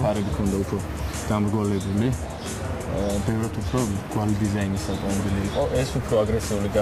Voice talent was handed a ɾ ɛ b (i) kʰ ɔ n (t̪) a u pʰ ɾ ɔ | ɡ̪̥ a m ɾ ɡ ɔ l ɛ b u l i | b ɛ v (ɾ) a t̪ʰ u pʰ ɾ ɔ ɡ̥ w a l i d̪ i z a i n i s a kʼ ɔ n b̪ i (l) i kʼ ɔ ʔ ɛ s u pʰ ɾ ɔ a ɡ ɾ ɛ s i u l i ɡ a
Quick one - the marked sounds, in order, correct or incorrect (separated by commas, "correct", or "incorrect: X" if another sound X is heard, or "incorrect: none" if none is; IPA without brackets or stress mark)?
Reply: correct, incorrect: d̪, correct, correct